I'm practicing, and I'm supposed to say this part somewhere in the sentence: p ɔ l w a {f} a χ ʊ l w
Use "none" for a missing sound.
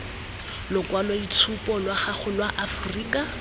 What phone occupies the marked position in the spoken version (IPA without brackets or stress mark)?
χ